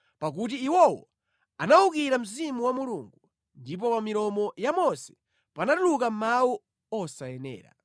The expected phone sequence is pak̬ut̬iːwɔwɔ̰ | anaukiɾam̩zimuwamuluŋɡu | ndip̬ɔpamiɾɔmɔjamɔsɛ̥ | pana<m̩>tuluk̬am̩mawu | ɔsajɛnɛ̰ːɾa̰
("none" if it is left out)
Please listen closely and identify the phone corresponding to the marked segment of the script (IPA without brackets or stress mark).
none